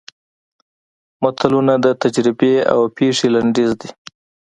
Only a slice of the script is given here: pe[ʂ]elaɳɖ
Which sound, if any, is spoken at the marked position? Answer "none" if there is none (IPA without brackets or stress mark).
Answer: ʂ